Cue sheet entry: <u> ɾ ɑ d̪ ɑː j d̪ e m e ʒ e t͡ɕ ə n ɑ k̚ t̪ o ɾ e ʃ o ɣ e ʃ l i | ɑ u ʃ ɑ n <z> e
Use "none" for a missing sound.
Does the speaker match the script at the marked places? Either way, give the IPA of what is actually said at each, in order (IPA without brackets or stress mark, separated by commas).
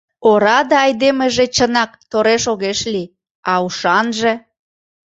o, ʒ